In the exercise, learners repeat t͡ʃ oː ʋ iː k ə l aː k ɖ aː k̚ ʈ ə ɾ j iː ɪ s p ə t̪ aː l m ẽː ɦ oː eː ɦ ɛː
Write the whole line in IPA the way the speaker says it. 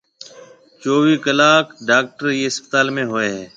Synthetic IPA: t͡ʃ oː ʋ iː k ə l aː k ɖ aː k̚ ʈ ə ɾ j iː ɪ s p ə t̪ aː l m ẽː ɦ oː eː ɦ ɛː